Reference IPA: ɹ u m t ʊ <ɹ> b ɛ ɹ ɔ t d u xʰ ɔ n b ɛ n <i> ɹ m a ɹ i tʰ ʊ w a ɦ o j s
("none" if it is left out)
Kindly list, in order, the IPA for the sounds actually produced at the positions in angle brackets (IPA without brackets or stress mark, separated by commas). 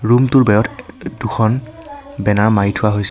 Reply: ɹ, a